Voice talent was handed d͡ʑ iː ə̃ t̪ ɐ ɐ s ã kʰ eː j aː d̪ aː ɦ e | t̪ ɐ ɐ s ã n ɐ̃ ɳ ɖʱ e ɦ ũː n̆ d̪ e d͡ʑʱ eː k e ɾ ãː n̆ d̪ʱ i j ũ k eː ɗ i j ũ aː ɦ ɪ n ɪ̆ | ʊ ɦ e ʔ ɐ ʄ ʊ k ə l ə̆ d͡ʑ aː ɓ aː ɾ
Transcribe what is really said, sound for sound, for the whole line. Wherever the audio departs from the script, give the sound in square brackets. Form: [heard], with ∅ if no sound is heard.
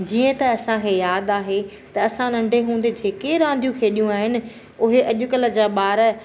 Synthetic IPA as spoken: d͡ʑ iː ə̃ t̪ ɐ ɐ s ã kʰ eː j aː d̪ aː ɦ e | t̪ ɐ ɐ s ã n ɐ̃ ɳ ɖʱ e ɦ ũː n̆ d̪ e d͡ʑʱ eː k e ɾ ãː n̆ d̪ʱ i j ũ [kʰ] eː ɗ i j ũ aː ɦ ɪ n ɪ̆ | ʊ ɦ e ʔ ɐ ʄ ʊ k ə l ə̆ d͡ʑ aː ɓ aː ɾ